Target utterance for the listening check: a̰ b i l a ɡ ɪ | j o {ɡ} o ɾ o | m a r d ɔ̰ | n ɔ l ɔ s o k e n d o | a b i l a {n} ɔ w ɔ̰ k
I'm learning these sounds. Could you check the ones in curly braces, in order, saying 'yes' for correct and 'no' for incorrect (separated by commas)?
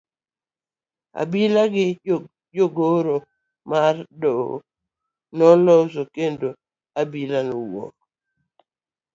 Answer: yes, yes